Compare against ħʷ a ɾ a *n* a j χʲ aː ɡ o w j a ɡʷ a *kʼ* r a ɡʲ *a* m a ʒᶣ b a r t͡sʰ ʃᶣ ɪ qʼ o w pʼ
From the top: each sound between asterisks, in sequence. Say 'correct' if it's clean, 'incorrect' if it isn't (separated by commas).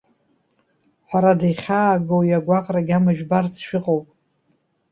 incorrect, incorrect, correct